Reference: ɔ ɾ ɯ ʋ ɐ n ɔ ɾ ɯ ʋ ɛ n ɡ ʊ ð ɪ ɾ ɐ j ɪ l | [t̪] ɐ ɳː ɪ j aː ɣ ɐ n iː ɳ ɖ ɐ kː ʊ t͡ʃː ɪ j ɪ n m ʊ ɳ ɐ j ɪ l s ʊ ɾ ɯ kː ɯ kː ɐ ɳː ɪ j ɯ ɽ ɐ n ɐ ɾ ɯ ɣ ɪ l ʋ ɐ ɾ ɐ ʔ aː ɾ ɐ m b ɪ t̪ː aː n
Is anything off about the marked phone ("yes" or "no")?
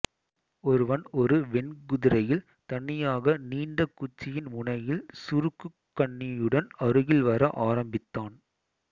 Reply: no